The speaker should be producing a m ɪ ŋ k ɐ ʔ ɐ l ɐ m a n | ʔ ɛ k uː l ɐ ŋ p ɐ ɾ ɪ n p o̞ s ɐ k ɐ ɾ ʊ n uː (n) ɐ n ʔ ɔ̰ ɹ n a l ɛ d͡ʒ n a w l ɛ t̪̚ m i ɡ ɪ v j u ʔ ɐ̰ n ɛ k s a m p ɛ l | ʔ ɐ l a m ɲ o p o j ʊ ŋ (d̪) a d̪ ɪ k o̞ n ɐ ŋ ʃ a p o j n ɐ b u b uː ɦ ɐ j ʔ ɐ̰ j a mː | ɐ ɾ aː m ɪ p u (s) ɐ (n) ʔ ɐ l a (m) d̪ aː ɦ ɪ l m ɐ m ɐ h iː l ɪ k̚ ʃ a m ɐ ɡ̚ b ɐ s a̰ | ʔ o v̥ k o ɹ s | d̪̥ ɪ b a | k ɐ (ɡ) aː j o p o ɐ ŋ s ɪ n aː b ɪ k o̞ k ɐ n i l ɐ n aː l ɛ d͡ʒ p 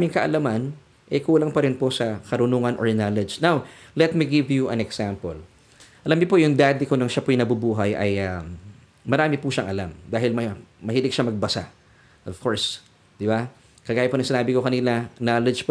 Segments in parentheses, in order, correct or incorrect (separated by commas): incorrect, correct, incorrect, incorrect, correct, correct